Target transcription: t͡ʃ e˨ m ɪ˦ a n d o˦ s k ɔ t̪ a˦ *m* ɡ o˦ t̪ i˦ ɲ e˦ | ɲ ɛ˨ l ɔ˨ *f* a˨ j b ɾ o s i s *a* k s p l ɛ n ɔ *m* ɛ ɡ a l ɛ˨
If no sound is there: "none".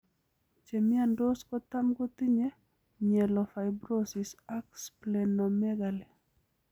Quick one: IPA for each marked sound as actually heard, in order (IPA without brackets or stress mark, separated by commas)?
m, f, a, m